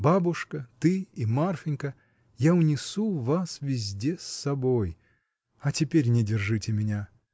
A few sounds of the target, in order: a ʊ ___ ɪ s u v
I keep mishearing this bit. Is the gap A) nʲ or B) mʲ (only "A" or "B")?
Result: A